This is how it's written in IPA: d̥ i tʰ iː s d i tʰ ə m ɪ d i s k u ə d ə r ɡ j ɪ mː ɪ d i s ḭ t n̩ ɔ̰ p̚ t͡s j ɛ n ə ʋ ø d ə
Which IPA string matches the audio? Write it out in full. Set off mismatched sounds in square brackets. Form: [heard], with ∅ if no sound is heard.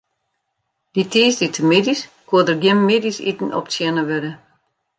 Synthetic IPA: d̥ i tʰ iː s d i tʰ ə m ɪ d i s k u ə d ə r ɡ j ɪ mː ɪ d i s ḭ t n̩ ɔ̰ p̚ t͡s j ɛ n ə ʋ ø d ə

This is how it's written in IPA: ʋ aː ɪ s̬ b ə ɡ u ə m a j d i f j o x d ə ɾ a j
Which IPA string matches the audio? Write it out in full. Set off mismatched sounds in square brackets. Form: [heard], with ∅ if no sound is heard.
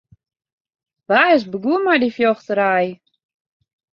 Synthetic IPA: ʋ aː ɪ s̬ b ə ɡ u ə m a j d i f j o x [t] ə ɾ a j

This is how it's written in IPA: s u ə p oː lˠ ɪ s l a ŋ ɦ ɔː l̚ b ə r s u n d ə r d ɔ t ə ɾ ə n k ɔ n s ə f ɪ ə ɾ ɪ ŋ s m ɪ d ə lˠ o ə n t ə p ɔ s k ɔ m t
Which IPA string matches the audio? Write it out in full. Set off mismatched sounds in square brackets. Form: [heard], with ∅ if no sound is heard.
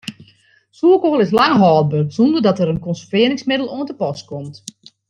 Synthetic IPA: s u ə [k] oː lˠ ɪ s l a ŋ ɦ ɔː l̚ b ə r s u n d ə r d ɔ t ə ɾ ə n k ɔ n s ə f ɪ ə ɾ ɪ ŋ s m ɪ d ə lˠ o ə n t ə p ɔ s k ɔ m t

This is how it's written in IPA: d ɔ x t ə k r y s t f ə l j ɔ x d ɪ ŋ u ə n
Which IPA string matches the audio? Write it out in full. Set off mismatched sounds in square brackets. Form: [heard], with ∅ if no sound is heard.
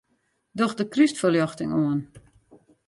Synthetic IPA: d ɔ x [d] ə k r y s t f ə l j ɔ x [t] ɪ ŋ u ə n

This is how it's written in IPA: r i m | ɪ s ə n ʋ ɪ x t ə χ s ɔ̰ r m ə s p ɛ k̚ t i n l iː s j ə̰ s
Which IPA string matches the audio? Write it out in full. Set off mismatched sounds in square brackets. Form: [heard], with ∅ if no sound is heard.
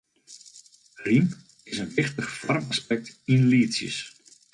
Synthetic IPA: r i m | ɪ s ə n ʋ ɪ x t ə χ [f] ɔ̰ r m [a] s p ɛ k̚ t i n l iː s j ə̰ s

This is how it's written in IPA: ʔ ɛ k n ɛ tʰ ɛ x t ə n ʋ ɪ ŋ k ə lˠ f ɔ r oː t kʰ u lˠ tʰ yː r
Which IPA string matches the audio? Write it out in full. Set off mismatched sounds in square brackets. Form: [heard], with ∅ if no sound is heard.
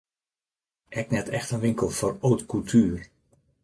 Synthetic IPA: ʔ ɛ k n ɛ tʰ ɛ x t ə n ʋ ɪ ŋ k ə lˠ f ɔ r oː t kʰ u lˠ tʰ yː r

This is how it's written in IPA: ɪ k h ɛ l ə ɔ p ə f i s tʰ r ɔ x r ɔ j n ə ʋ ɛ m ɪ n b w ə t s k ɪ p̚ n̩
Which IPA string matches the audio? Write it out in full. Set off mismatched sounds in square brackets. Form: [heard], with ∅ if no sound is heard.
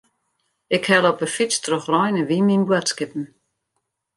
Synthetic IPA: ɪ k h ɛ l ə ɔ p ə f i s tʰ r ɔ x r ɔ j n ə ʋ [i] m [i] n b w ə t s k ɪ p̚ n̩

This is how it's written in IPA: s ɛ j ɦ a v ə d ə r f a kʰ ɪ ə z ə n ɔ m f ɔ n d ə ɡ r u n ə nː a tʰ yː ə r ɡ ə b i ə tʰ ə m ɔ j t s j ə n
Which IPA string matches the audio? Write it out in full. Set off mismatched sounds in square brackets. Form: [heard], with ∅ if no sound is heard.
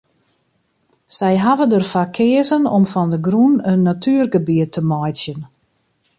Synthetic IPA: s ɛ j ɦ a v ə d ə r f a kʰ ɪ ə z ə n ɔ m f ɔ n d ə ɡ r u n ə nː a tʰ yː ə r ɡ ə b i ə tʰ ə m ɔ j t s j ə n

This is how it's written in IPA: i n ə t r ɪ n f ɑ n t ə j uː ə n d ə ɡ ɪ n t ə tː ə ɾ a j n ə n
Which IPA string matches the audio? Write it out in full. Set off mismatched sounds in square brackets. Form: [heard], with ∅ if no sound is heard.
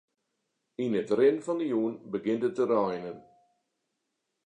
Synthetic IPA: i n ə t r ɪ n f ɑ n [d] ə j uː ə n [b] ə ɡ ɪ n t ə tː ə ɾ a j n ə n

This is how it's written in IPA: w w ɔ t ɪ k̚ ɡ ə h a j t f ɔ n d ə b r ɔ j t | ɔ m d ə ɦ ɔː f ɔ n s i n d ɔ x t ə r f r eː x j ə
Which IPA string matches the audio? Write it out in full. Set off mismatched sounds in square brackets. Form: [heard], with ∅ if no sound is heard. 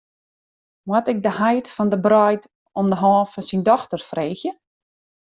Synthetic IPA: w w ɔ t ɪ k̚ [d] ə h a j t f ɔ n d ə b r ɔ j t | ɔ m d ə ɦ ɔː f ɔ n s i n d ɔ x t ə r f r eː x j ə

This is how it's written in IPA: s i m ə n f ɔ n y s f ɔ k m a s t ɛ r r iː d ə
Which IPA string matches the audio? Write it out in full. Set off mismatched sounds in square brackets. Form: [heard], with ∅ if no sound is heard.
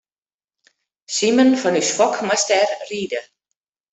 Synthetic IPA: s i m ə n f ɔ n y s f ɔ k m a s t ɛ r r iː d ə

